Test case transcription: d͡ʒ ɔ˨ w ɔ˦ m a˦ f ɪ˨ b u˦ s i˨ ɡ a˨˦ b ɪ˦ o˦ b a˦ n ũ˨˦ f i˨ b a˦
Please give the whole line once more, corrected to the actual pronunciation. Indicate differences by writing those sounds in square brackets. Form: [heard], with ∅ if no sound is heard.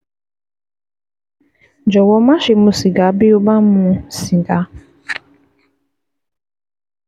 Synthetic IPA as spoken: d͡ʒ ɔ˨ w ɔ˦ m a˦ [ʃ] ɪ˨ [m] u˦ s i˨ ɡ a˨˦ b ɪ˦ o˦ b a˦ [m] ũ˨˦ [s] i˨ [ɡ] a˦